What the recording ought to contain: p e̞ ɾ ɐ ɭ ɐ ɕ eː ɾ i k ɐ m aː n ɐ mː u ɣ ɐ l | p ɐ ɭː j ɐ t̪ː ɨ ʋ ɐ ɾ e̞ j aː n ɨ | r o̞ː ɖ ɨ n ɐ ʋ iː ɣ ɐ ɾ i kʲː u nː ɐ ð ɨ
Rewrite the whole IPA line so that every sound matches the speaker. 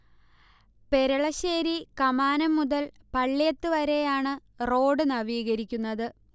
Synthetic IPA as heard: p e̞ ɾ ɐ ɭ ɐ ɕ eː ɾ i k ɐ m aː n ɐ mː u ð ɐ l | p ɐ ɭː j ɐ t̪ː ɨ ʋ ɐ ɾ e̞ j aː ɳ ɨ | r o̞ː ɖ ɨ n ɐ ʋ iː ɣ ɐ ɾ i kʲː u nː ɐ ð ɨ